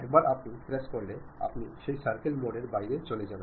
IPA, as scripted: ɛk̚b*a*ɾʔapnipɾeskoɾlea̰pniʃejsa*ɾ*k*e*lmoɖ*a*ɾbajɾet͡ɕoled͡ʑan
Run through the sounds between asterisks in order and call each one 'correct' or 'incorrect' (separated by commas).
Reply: correct, correct, correct, incorrect